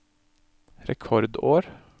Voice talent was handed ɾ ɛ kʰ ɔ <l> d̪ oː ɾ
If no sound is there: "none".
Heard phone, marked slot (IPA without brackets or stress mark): ɾ